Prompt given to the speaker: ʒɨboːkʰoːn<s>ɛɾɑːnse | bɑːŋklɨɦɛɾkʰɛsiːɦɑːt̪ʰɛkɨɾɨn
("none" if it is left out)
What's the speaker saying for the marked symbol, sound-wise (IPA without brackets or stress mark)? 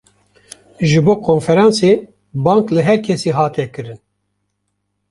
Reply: f